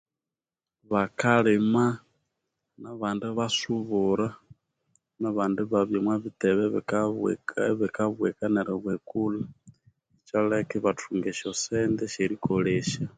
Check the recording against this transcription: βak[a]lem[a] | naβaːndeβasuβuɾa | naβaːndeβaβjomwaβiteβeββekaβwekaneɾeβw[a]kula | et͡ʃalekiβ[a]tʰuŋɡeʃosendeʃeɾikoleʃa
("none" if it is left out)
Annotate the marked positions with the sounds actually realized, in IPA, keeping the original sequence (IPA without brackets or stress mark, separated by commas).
a, a, e, a